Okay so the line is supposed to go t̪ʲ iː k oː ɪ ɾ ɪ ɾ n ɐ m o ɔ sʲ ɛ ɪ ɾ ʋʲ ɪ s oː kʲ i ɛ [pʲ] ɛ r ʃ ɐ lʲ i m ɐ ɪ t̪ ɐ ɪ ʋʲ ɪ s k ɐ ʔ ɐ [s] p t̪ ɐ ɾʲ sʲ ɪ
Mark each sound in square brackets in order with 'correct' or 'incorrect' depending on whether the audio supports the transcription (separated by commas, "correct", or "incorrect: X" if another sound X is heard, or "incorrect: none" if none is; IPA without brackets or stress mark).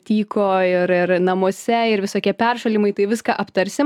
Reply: correct, incorrect: none